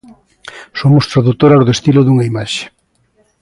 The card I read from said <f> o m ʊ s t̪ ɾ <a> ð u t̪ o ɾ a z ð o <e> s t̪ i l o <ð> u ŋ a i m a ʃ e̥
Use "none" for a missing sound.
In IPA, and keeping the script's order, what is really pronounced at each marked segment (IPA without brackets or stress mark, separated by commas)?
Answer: s, a, e, ð